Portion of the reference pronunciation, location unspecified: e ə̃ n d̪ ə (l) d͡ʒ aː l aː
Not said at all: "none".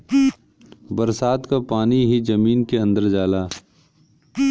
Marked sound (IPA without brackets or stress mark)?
ɾ